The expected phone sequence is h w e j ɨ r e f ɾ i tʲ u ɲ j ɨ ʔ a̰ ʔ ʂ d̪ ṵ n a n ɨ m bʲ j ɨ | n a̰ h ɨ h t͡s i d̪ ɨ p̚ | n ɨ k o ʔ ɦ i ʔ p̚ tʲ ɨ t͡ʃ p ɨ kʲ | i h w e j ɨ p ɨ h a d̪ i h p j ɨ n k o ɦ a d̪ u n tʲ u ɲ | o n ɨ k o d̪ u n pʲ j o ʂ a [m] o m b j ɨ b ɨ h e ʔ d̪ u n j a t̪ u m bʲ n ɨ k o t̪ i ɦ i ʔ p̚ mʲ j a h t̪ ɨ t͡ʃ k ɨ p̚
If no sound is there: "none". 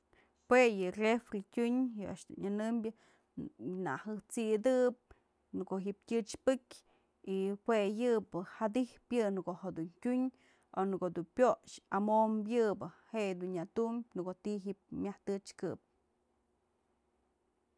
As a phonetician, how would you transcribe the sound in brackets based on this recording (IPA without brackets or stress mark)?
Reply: m